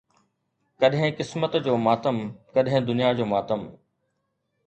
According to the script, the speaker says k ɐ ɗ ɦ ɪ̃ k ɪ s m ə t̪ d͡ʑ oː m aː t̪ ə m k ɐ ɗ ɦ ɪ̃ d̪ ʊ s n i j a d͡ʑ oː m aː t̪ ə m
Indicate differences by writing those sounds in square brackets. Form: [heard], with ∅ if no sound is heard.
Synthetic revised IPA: k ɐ ɗ ɦ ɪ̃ k ɪ s m ə t̪ d͡ʑ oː m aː t̪ ə m k ɐ ɗ ɦ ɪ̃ d̪ ʊ [∅] n i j a d͡ʑ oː m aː t̪ ə m